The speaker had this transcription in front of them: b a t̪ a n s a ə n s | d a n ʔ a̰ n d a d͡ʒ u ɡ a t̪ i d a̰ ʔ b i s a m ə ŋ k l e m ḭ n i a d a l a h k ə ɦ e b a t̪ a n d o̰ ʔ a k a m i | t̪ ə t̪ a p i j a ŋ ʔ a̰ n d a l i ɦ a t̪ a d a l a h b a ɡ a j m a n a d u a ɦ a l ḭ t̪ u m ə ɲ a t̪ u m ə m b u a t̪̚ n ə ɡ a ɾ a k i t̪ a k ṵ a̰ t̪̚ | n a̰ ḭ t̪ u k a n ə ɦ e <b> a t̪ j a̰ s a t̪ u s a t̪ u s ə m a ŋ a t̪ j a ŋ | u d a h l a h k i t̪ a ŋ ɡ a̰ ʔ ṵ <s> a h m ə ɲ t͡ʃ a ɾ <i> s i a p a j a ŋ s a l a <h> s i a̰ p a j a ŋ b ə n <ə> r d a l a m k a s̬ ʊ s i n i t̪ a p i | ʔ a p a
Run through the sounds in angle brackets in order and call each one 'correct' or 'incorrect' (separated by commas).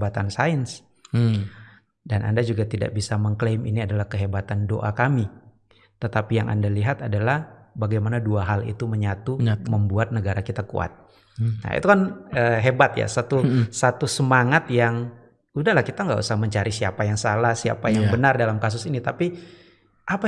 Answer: correct, correct, correct, correct, incorrect